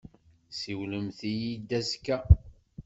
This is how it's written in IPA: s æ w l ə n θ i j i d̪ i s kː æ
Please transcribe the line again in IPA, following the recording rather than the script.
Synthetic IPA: s i w l ə m θ i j i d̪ æ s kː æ